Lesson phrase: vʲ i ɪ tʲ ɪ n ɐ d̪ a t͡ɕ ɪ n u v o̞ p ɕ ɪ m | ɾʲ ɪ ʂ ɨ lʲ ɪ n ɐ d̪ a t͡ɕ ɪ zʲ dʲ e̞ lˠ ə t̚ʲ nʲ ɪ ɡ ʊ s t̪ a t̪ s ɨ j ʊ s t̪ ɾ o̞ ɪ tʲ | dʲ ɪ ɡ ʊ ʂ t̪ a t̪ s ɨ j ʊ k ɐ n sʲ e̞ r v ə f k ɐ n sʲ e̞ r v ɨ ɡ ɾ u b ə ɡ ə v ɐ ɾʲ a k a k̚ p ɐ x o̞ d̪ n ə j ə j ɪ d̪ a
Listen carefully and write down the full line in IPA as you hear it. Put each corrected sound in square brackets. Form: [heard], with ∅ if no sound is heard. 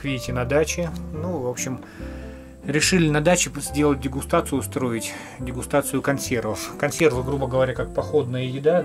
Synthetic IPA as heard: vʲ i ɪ tʲ ɪ n ɐ d̪ a t͡ɕ ɪ n u v o̞ p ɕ ɪ m | ɾʲ ɪ ʂ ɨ lʲ ɪ n ɐ d̪ a t͡ɕ ɪ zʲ dʲ e̞ lˠ ə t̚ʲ [dʲ] ɪ ɡ ʊ s t̪ a t̪ s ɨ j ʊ s t̪ ɾ o̞ ɪ tʲ | dʲ ɪ ɡ ʊ [s] t̪ a t̪ s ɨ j ʊ k ɐ n sʲ e̞ r v ə f k ɐ n sʲ e̞ r v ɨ ɡ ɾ u b ə ɡ ə v ɐ ɾʲ a k a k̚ p ɐ x o̞ d̪ n ə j ə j ɪ d̪ a